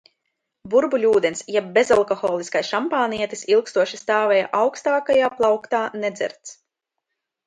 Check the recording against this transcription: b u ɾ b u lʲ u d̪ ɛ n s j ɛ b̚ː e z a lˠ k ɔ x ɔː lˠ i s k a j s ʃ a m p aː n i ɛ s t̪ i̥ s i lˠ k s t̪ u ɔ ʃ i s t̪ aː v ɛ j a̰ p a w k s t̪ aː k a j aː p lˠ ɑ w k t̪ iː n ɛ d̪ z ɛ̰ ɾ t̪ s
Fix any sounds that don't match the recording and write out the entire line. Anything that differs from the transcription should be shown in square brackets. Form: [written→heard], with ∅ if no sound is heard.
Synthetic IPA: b u ɾ b u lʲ [u→uː] d̪ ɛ n s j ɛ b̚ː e z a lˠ k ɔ x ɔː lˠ i s k a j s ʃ a m p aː n i ɛ [s→∅] t̪ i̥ s i lˠ k s t̪ u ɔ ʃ i s t̪ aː v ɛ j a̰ [p→ʔ] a w k s t̪ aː k a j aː p lˠ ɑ w k t̪ [iː→aː] n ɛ d̪ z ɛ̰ ɾ t̪ s